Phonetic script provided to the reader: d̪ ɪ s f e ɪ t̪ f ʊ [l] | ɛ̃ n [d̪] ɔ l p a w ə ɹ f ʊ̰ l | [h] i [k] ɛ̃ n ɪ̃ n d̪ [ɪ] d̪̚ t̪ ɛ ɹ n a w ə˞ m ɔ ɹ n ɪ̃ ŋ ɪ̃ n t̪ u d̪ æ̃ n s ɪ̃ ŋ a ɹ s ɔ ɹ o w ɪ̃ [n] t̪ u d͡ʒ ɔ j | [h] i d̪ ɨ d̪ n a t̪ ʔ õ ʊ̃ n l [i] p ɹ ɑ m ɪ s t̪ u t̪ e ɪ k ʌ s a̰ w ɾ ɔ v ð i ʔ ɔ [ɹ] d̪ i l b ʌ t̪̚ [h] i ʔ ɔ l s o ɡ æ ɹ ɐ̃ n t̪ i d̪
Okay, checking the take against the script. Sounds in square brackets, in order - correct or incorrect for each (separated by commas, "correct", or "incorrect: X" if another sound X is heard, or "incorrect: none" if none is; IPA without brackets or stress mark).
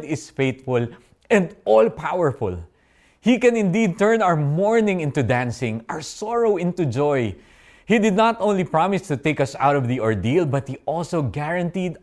correct, correct, correct, correct, incorrect: i, correct, correct, correct, correct, correct